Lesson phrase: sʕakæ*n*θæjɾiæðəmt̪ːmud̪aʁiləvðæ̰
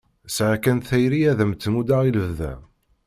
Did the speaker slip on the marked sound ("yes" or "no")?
no